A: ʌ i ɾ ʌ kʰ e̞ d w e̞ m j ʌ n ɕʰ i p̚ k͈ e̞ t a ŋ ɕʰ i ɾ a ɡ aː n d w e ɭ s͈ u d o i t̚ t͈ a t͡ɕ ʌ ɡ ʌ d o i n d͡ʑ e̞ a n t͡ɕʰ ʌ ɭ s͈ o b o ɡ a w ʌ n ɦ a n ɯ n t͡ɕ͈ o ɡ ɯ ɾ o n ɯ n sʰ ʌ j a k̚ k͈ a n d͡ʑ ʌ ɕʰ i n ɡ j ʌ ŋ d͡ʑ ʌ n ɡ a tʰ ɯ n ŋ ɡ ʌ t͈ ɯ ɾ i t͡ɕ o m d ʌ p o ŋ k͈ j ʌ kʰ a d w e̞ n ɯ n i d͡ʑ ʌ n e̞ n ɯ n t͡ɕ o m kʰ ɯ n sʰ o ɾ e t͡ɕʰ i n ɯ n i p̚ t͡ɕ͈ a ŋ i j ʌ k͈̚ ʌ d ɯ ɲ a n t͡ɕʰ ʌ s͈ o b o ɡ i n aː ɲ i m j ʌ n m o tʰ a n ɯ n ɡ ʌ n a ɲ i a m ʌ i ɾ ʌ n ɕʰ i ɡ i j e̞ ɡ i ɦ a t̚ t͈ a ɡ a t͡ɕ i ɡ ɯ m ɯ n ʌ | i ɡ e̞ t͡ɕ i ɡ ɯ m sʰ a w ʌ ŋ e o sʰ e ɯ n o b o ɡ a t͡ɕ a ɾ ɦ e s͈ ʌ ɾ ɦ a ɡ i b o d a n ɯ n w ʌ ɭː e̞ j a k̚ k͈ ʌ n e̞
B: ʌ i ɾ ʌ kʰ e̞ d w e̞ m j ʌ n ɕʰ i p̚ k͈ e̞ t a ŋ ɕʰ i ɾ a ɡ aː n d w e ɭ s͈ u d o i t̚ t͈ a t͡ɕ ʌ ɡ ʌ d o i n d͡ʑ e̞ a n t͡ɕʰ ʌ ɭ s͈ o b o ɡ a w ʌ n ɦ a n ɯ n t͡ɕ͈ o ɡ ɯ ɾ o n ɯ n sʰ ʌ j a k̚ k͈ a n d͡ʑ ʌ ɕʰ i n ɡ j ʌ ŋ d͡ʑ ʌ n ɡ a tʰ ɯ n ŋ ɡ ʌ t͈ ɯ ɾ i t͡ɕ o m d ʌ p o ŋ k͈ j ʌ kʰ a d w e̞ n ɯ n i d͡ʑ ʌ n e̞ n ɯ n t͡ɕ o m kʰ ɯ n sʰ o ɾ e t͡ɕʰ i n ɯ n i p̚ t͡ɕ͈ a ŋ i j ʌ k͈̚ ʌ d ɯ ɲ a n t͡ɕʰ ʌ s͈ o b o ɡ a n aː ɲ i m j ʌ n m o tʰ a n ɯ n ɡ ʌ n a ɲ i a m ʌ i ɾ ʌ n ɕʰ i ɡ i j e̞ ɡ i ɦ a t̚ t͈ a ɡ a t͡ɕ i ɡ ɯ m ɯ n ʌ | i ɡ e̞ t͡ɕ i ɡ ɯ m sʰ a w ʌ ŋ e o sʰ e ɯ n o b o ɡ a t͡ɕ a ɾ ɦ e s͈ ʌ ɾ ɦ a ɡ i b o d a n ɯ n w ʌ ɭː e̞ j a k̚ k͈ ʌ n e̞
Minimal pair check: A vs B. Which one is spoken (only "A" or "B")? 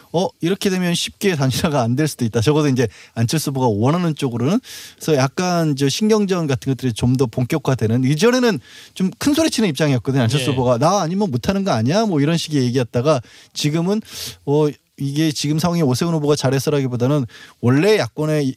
B